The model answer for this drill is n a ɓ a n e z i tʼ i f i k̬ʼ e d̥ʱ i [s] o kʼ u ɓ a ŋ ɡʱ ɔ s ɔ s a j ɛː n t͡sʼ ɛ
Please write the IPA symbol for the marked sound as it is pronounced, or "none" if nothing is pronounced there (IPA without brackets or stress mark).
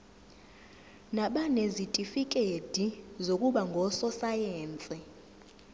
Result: z